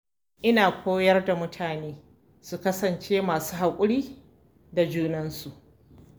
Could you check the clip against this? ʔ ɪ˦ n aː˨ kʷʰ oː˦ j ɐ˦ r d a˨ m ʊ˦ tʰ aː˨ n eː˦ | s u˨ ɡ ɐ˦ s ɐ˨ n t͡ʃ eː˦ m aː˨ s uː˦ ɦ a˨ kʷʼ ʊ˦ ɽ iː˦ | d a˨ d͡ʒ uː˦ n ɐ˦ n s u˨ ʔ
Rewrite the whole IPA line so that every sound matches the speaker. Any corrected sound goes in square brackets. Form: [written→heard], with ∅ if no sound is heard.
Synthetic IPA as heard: ʔ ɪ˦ n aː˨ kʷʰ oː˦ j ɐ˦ r d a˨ m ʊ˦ tʰ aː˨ n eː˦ | s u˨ [ɡ→k] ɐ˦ s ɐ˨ n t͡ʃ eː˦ m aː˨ s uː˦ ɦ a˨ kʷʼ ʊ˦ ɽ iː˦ | d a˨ d͡ʒ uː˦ n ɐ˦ n s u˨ ʔ